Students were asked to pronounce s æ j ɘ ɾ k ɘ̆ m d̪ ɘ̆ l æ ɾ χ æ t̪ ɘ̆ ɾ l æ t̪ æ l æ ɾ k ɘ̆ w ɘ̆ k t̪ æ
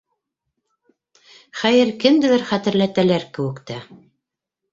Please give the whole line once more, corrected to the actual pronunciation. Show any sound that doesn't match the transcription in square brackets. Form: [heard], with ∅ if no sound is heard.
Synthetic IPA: [χ] æ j ɘ ɾ k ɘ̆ m d̪ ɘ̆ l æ ɾ χ æ t̪ ɘ̆ ɾ l æ t̪ æ l æ ɾ k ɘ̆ w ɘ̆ k t̪ æ